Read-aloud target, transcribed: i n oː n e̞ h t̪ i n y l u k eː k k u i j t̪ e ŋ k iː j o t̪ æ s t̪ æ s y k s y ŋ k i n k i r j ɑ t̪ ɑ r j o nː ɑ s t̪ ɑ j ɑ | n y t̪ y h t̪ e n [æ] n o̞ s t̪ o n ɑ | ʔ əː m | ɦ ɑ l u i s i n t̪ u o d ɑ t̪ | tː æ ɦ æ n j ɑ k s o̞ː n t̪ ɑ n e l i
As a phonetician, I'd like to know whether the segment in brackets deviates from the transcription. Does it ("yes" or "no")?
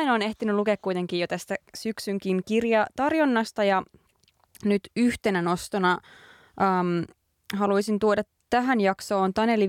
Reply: no